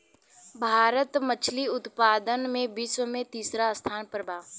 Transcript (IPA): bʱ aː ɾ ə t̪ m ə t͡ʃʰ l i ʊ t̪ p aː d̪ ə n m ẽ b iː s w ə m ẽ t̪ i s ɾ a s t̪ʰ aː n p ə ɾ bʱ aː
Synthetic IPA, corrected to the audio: bʱ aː ɾ ə t̪ m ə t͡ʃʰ l i ʊ t̪ p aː d̪ ə n m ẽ b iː s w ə m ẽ t̪ iː s ɾ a s t̪ʰ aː n p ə ɾ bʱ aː